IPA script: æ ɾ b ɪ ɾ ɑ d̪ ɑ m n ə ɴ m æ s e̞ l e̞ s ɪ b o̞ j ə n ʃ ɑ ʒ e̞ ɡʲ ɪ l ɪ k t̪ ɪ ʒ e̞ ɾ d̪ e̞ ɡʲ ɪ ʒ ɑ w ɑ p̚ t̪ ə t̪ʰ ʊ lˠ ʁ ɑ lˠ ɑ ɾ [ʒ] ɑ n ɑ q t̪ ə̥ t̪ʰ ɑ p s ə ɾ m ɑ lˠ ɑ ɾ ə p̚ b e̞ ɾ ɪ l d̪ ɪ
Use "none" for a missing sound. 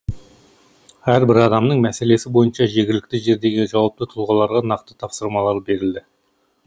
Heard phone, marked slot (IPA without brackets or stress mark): ʁ